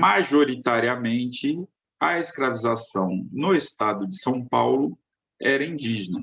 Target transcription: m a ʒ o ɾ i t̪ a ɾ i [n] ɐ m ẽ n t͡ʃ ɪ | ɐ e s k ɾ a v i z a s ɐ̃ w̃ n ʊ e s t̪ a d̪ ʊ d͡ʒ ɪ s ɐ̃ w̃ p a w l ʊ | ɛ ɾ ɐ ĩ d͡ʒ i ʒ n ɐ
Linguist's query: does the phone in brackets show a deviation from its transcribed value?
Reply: yes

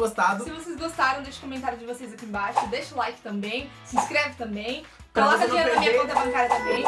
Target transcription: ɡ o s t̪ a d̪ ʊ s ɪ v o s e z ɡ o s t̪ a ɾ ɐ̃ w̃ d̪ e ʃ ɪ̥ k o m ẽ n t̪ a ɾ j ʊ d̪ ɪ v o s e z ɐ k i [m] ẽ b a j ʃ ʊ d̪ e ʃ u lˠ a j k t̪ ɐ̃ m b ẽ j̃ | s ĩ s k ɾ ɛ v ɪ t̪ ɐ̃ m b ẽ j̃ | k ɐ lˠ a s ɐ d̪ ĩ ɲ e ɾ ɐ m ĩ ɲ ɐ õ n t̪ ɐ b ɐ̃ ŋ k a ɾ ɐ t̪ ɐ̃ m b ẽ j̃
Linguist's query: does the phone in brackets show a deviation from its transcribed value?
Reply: yes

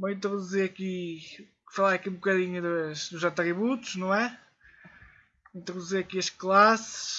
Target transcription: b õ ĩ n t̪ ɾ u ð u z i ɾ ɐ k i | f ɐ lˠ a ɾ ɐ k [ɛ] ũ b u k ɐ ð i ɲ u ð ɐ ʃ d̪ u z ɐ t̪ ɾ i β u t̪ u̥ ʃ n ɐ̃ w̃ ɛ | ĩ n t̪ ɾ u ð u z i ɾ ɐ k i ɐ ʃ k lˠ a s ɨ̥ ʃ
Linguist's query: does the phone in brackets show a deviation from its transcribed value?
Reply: yes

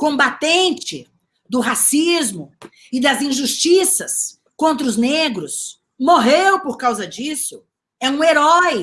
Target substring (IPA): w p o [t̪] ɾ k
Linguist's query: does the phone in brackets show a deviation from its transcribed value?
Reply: yes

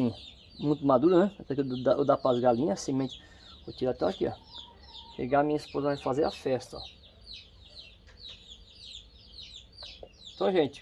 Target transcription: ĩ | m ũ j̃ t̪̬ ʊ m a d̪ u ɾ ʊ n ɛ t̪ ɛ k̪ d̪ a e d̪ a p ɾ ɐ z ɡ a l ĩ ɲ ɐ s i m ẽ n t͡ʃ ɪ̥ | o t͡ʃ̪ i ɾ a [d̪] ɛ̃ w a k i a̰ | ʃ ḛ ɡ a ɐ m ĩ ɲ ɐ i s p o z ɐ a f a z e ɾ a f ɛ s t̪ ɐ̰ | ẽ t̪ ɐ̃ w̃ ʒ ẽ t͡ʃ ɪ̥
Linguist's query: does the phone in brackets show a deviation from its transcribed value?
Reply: yes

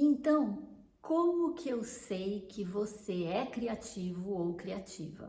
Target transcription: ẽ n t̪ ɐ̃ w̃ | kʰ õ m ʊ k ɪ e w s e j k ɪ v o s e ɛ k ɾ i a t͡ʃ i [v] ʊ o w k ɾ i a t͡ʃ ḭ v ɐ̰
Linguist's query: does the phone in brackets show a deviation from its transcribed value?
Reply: no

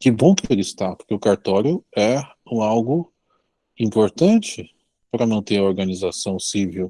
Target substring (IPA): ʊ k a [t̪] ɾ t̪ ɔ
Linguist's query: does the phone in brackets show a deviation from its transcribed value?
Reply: yes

